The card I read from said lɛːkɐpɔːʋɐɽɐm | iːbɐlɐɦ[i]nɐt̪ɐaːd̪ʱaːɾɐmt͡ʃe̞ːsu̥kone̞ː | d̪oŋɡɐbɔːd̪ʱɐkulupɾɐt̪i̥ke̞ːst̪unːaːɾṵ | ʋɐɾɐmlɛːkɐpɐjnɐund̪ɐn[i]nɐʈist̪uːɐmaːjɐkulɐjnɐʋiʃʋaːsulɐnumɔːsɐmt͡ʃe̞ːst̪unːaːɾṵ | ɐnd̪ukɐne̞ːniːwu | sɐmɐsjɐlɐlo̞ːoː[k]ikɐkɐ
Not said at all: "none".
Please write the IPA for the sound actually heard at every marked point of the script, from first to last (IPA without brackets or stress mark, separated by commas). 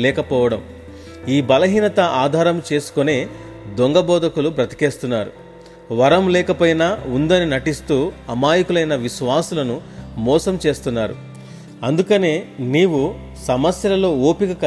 iː, i, p